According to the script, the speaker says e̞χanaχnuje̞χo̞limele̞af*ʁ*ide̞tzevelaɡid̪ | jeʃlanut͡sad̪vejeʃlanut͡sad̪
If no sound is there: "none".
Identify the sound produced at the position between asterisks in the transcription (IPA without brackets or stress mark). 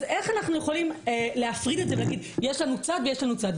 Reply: ʁ